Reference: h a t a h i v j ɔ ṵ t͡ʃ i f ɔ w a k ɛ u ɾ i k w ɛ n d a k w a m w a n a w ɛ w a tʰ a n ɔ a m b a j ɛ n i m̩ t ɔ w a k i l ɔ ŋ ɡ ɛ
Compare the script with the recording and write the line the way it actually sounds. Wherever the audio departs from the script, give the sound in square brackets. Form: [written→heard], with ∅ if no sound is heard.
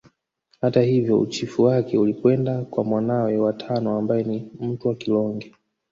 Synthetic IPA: h a t a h i v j ɔ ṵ t͡ʃ i f [ɔ→u] w a k ɛ u [ɾ→l] i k w ɛ n d a k w a m w a n a w ɛ w a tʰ a n ɔ a m b a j ɛ n i m̩ t [ɔ→u] w a k i l ɔ ŋ ɡ ɛ